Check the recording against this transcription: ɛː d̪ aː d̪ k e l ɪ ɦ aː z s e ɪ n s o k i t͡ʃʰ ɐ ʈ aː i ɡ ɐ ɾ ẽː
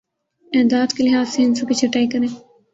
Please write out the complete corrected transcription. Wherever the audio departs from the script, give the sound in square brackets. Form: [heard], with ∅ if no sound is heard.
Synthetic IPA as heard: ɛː d̪ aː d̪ k e l ɪ ɦ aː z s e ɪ n s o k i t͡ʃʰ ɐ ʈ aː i [k] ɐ ɾ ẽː

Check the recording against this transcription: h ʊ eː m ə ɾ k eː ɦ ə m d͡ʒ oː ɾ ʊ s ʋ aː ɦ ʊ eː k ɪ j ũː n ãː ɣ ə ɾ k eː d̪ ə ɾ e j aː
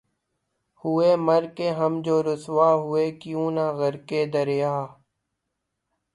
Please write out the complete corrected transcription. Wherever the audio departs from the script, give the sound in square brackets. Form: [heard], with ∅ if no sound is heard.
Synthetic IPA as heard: h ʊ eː m ə ɾ k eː ɦ ə m d͡ʒ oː ɾ ʊ s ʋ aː ɦ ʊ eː k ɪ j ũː n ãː ɣ ə ɾ k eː d̪ ə ɾ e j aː

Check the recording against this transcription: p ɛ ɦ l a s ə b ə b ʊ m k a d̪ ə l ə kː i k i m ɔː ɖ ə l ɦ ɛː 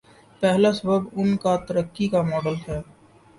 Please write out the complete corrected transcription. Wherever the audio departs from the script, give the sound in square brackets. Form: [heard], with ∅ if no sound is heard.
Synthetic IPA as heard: p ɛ ɦ l a s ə b ə b ʊ [n] k a [t̪] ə [ɾ] ə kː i k [a] m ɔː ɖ ə l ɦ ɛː

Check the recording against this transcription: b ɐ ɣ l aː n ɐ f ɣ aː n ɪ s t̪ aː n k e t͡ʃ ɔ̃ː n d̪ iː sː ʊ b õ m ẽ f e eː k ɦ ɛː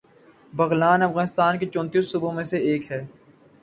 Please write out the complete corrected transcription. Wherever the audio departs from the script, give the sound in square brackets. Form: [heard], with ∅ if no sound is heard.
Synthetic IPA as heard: b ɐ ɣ l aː n ɐ f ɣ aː n ɪ s t̪ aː n k e t͡ʃ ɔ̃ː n [t̪] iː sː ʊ b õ m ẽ [s] e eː k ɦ ɛː

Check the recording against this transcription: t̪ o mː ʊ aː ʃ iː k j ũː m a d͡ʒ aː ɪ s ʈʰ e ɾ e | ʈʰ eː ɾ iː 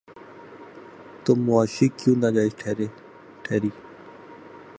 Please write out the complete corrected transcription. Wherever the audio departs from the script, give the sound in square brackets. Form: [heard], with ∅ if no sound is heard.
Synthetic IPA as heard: t̪ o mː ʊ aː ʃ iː k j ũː [n] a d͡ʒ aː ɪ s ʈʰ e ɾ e | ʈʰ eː ɾ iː

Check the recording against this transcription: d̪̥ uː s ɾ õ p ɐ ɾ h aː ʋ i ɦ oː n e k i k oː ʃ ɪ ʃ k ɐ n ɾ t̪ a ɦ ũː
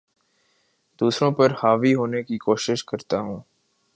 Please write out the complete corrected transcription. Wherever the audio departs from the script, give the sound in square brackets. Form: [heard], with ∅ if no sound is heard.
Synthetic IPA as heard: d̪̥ uː s ɾ õ p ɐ ɾ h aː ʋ i ɦ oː n e k i k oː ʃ ɪ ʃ k ɐ [∅] ɾ t̪ a ɦ ũː

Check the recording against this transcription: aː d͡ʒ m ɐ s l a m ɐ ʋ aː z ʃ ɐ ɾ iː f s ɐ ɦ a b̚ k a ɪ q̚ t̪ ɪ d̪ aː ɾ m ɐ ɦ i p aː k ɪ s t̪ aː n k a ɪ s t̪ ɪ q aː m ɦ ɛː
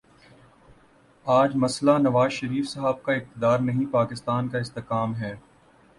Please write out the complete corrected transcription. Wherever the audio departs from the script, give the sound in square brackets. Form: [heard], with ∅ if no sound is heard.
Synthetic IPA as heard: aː d͡ʒ m ɐ s l a [n] ɐ ʋ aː z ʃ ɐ ɾ iː f s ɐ ɦ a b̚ k a ɪ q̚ t̪ ɪ d̪ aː ɾ [n] ɐ ɦ [ĩ] p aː k ɪ s t̪ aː n k a ɪ s t̪ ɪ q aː m ɦ ɛː

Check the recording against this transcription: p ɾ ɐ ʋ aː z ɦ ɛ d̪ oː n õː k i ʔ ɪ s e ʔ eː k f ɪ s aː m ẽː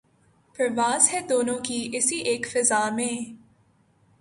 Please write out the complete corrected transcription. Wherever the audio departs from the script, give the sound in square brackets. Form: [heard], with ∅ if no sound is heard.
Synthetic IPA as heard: p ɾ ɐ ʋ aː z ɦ ɛ d̪ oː n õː k i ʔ ɪ s [i] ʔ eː k f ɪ [z] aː m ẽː

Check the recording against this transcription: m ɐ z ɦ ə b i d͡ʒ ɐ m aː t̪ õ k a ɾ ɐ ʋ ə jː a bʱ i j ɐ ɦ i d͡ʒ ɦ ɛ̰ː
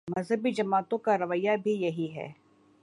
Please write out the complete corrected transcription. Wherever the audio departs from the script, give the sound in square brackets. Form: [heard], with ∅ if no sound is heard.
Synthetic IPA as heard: m ɐ z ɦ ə b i d͡ʒ ɐ m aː t̪ õ k a ɾ ɐ ʋ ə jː a bʱ i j ɐ ɦ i [∅] ɦ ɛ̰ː

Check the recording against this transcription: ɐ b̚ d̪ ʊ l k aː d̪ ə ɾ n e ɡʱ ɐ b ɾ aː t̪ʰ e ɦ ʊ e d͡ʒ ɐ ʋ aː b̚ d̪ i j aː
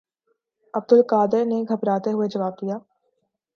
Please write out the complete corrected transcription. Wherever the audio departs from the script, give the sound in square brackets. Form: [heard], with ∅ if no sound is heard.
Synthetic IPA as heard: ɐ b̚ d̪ ʊ l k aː d̪ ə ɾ n e ɡʱ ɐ b ɾ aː [t̪] e ɦ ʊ e d͡ʒ ɐ ʋ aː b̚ d̪ i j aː

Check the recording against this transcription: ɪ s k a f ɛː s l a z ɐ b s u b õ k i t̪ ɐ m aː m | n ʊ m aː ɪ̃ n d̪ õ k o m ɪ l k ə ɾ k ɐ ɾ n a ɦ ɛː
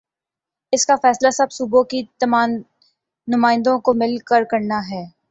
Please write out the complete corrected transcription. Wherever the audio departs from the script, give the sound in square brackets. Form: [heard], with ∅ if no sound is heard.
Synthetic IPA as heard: ɪ s k a f ɛː s l a [s] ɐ b s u b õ k i t̪ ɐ m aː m | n ʊ m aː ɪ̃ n d̪ õ k o m ɪ l k ə ɾ k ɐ ɾ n a ɦ ɛː

